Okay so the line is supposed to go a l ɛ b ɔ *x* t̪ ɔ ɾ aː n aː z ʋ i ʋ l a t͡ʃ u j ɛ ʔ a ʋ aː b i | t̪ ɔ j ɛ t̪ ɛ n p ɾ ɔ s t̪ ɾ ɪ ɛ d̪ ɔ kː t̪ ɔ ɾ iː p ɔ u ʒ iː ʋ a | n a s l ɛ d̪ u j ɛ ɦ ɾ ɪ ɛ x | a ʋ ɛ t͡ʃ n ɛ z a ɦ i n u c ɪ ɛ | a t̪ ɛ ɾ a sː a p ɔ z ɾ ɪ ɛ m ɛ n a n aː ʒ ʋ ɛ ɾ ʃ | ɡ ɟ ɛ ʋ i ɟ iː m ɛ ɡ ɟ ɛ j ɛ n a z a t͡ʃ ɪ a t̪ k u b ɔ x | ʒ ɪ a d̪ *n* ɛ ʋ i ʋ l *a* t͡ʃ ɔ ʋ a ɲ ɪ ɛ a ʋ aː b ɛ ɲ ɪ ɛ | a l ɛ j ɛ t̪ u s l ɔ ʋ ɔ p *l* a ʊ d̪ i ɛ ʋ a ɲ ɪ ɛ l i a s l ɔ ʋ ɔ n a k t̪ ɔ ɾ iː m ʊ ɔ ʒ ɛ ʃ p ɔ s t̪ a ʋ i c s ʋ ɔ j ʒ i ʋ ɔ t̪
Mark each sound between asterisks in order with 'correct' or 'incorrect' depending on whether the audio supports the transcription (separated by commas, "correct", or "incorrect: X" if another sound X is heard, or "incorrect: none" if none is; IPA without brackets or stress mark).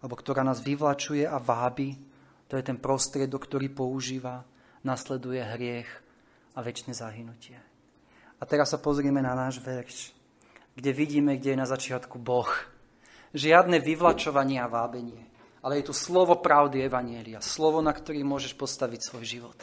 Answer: incorrect: k, correct, correct, incorrect: ɾ